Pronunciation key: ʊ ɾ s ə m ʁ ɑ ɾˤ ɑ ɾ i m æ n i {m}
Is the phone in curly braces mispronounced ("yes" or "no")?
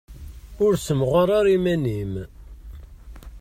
no